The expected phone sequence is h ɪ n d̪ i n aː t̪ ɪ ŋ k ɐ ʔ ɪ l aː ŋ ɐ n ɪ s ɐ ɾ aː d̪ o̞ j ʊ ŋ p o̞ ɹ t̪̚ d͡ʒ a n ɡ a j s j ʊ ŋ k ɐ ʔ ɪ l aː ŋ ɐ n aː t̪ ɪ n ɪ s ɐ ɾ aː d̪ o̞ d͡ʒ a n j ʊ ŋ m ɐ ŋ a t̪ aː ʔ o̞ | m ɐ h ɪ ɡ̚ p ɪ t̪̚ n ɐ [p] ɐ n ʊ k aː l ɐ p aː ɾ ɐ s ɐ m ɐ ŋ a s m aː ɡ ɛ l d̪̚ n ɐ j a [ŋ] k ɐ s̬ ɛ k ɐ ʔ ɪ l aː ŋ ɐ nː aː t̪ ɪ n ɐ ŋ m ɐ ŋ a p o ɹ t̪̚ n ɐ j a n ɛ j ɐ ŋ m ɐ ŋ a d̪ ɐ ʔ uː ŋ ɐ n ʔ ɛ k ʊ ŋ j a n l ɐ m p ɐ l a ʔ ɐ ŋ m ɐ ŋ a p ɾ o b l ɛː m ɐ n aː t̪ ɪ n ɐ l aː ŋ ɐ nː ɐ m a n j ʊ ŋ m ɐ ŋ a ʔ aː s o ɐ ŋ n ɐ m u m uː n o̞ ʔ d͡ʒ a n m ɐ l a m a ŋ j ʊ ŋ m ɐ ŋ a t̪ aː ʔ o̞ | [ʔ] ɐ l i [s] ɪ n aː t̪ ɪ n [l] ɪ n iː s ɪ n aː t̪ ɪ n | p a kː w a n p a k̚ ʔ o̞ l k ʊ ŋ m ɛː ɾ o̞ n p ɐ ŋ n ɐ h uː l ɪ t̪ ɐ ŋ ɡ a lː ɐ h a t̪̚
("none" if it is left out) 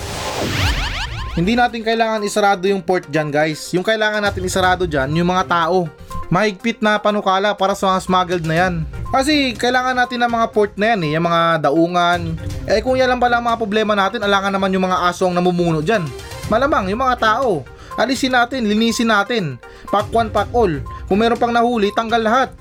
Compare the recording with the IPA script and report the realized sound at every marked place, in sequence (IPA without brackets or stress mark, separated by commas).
p, n, ʔ, s, l